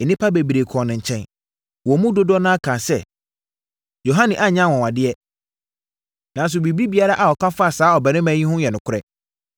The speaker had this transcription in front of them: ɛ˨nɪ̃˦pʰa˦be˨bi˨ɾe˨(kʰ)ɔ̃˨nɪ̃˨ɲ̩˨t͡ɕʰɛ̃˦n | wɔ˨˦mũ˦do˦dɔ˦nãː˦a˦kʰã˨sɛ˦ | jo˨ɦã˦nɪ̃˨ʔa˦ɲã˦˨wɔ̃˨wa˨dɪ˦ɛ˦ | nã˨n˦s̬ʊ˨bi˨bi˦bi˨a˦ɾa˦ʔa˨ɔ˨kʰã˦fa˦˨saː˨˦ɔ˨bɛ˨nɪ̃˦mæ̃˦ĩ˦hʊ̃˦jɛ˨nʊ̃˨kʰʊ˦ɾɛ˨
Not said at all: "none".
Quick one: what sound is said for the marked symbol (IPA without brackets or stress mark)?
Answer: kʰ